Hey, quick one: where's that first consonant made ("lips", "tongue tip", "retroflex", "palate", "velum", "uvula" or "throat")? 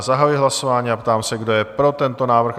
tongue tip